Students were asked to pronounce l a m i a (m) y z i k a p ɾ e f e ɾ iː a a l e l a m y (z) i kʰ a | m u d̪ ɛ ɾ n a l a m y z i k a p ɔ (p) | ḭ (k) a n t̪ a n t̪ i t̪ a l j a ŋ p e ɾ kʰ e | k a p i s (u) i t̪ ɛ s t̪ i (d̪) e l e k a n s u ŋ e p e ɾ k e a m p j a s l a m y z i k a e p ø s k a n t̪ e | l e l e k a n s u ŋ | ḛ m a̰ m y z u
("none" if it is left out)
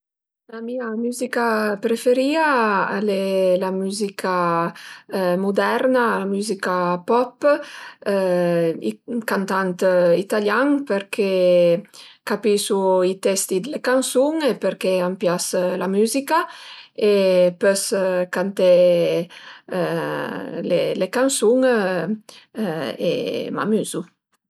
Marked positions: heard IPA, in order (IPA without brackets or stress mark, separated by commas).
m, z, p, k, u, d̪